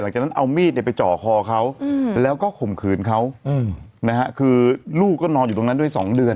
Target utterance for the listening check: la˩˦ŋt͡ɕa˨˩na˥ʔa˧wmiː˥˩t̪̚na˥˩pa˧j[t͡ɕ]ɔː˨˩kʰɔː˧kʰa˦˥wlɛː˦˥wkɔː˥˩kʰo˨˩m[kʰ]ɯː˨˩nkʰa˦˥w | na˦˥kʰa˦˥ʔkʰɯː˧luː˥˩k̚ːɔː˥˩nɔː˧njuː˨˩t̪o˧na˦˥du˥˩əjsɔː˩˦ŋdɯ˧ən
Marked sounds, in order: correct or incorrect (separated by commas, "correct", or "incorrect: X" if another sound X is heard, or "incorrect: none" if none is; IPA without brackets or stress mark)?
correct, correct